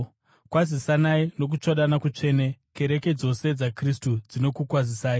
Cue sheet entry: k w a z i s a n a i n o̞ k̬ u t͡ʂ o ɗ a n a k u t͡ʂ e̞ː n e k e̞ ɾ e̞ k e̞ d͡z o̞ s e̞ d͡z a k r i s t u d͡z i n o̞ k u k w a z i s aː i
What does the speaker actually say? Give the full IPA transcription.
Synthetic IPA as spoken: k w a z i s a n a i n o̞ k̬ u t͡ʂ o ɗ a n a k u t͡ʂ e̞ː n e k e̞ ɾ e̞ k e̞ d͡z o̞ s e̞ d͡z a k r i s t u d͡z i n o̞ k u k w a z i s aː i